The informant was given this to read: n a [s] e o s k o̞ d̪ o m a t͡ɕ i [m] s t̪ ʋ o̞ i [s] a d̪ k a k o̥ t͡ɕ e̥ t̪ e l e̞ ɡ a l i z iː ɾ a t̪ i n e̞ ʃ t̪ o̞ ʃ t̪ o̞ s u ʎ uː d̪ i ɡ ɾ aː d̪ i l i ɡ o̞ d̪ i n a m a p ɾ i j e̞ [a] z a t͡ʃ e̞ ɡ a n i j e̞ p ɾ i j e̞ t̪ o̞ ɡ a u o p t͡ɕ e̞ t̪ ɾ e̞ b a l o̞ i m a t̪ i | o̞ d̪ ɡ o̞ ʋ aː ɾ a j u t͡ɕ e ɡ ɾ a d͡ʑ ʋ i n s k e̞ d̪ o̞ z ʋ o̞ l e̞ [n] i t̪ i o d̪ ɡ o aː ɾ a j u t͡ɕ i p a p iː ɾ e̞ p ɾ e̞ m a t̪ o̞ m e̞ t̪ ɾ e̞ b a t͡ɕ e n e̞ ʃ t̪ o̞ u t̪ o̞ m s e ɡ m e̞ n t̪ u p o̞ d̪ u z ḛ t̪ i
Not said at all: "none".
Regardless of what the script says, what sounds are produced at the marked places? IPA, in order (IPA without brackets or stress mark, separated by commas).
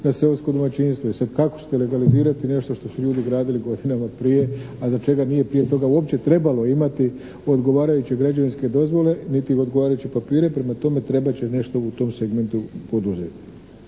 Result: s, n, s, a, n